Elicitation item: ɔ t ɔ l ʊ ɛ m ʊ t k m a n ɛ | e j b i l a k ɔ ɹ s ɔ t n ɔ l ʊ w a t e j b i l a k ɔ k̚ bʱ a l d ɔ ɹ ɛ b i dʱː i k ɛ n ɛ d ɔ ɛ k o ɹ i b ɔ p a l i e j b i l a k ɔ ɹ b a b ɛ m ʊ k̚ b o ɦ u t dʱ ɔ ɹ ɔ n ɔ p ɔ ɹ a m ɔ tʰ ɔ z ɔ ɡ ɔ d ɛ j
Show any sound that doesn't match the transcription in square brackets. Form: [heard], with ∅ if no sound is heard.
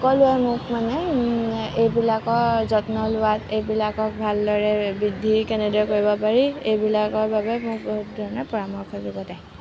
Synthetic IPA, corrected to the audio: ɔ [k] ɔ l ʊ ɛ m ʊ [∅] k m a n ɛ | e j b i l a k ɔ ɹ [z] ɔ t n ɔ l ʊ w a t e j b i l a k ɔ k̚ bʱ a l d ɔ ɹ ɛ b i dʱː i k ɛ n ɛ d ɔ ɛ k o ɹ i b ɔ p a [ɹ] i e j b i l a k ɔ ɹ b a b ɛ m ʊ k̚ b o ɦ u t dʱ ɔ ɹ ɔ n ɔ p ɔ ɹ a m ɔ [kʰ] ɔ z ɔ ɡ ɔ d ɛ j